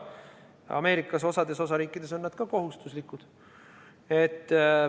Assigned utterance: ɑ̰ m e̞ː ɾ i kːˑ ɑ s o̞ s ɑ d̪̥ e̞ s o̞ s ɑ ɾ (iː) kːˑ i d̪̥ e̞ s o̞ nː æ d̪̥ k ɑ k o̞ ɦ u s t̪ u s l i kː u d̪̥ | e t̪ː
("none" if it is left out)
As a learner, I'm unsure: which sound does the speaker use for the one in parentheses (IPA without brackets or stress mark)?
iː